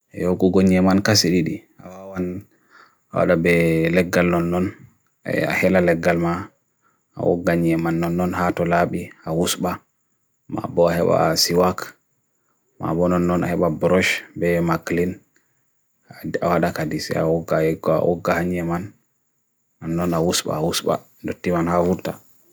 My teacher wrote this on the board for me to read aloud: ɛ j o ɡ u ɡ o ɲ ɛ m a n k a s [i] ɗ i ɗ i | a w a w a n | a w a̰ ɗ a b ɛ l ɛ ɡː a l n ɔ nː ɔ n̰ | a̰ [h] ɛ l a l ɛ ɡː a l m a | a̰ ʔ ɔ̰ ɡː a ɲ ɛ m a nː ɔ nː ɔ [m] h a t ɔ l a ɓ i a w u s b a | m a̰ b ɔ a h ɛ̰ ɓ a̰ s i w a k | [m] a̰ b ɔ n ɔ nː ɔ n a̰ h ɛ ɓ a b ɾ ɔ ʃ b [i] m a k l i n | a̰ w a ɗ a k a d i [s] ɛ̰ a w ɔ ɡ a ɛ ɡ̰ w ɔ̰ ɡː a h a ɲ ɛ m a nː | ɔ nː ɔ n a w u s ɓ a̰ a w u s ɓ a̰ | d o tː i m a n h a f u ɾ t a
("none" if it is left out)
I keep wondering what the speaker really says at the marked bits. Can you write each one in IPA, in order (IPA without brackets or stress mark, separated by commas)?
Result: i, h, n, m, ɛ, s